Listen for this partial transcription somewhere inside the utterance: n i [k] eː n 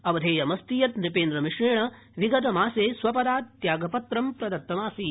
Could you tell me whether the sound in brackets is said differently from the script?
yes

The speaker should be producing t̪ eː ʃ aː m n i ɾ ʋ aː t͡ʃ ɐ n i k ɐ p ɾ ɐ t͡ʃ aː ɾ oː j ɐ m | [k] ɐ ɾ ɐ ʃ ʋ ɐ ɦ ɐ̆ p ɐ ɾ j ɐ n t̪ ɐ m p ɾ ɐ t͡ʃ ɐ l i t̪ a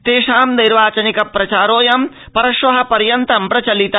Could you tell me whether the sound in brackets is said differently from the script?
yes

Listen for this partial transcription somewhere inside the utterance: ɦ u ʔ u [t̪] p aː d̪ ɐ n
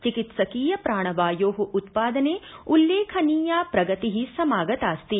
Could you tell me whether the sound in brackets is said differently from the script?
no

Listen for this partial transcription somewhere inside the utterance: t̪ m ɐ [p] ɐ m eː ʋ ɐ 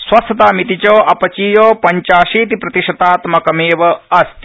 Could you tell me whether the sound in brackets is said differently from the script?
yes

